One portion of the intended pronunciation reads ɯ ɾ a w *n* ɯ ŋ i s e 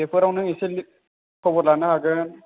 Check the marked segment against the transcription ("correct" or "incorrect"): correct